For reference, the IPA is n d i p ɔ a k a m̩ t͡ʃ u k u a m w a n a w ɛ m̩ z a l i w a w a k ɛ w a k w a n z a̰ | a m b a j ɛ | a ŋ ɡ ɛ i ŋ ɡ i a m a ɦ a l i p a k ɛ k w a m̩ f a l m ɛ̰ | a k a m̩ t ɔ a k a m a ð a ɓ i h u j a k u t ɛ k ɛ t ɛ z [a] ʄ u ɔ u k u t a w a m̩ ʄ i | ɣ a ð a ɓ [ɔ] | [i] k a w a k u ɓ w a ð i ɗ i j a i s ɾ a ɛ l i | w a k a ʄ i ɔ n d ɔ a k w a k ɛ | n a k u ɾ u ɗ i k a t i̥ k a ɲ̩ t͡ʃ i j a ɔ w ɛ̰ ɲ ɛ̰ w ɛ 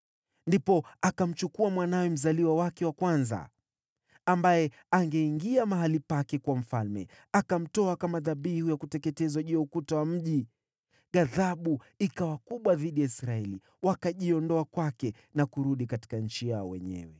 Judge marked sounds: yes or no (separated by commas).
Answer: yes, no, yes